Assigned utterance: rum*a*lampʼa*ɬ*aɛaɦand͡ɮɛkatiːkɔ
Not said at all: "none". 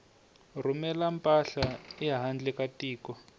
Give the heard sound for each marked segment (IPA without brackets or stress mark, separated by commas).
ɛ, ɬ